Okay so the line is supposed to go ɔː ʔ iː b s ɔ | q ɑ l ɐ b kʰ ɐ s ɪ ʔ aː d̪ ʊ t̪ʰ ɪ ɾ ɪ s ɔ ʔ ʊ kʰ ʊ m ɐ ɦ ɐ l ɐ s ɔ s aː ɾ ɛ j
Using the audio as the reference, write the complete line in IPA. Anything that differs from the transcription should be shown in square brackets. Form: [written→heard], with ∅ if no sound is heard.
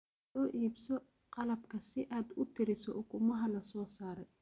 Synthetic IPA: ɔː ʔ iː b s ɔ | q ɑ l ɐ b kʰ ɐ s ɪ ʔ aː d̪ ʊ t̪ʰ ɪ ɾ ɪ s ɔ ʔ ʊ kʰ ʊ m ɐ ɦ ɐ l ɐ s [ɔ→ɔː] s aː ɾ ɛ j